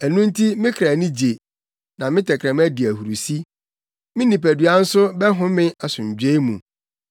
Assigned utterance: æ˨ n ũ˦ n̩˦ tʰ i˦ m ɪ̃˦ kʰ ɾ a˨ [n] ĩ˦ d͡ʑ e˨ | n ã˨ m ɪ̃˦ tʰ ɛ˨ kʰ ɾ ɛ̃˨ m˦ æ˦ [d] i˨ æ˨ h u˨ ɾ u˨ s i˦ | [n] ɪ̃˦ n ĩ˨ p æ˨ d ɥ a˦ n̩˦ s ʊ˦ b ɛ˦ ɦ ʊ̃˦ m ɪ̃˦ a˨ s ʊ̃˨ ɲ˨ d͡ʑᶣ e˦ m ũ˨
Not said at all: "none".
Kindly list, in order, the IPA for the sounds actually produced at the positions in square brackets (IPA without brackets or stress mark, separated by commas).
n, d, m